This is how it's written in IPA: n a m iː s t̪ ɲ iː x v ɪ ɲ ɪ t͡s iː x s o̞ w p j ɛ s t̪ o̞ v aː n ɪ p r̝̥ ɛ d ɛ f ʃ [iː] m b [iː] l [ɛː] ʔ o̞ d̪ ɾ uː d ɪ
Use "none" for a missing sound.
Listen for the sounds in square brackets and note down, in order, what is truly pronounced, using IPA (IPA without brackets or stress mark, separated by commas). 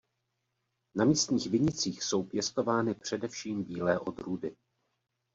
iː, iː, ɛː